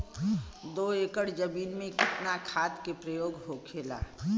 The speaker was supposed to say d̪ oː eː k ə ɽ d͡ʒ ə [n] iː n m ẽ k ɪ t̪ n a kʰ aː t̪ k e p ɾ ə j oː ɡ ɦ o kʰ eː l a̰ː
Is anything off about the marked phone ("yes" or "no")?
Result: yes